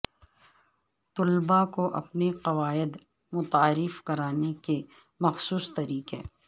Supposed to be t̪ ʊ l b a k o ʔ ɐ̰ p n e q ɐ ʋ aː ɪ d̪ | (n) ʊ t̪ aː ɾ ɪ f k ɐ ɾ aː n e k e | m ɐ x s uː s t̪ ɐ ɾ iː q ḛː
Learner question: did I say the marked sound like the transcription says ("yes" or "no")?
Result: no